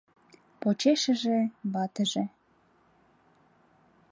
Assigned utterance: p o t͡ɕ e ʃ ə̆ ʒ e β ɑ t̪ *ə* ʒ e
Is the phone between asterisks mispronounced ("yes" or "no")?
no